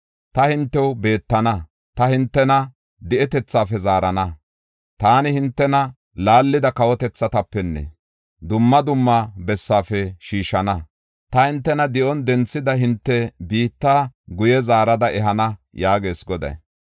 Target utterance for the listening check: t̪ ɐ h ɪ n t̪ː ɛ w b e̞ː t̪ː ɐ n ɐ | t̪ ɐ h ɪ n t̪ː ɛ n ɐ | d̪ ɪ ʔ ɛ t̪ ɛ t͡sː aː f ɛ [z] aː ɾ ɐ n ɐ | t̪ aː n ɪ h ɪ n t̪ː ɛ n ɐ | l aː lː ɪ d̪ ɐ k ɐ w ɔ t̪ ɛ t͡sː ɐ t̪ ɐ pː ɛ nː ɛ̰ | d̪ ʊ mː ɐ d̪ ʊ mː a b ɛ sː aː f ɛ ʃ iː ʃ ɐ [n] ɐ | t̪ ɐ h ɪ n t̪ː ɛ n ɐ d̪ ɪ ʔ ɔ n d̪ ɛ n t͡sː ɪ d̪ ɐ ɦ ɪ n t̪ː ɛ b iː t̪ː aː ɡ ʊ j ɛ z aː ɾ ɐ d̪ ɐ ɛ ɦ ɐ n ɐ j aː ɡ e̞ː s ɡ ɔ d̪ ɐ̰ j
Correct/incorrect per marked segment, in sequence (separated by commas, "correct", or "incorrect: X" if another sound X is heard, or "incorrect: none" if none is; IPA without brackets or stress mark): correct, correct